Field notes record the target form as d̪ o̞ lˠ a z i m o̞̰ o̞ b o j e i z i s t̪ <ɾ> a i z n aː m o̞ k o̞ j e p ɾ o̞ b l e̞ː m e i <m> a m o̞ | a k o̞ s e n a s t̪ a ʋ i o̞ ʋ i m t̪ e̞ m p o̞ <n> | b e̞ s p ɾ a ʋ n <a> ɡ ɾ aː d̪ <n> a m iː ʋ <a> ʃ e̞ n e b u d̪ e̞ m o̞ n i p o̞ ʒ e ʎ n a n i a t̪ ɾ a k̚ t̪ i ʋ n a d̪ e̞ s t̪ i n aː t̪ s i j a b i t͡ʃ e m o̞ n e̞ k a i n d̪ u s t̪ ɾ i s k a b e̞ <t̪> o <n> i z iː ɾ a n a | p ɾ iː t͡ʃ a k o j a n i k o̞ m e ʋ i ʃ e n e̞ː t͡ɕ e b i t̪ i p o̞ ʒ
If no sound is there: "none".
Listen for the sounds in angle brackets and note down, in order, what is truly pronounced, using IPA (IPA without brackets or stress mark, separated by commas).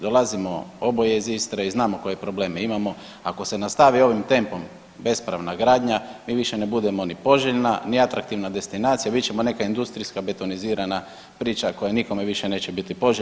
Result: ɾ, m, m, a, ɲ, i, t̪, n